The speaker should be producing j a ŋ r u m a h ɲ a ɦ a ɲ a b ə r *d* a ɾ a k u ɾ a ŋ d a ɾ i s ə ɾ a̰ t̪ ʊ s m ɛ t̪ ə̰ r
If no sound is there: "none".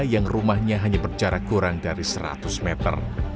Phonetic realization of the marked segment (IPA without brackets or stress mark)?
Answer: d͡ʒ